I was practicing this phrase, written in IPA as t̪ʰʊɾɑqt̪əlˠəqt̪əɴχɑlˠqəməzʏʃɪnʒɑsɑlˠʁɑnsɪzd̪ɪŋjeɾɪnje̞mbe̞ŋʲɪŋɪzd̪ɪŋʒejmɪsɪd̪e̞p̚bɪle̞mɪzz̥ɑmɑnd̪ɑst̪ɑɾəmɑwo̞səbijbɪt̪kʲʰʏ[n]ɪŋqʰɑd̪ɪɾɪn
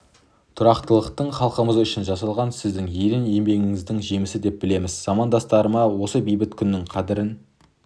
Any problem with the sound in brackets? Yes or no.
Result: yes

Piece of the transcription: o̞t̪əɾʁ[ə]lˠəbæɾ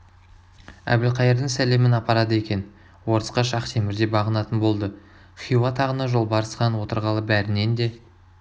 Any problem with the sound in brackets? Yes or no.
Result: yes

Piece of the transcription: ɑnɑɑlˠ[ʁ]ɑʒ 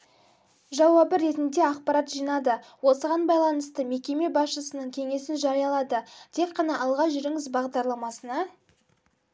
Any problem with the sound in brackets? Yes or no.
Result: no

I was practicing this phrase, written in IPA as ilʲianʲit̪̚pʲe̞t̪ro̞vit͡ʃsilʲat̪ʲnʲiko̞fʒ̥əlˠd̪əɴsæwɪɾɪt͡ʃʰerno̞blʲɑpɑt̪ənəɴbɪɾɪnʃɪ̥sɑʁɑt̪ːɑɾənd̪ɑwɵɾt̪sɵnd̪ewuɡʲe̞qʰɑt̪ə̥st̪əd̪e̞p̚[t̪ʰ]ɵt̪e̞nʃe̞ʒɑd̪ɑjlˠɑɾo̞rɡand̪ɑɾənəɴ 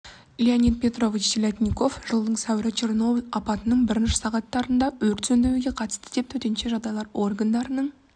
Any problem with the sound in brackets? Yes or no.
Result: no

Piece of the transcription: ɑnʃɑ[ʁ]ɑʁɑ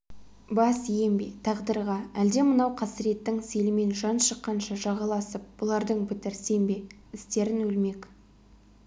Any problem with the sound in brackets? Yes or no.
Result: yes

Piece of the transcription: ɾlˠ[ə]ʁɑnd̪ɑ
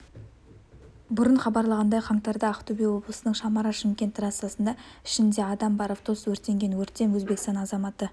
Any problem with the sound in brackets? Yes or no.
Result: yes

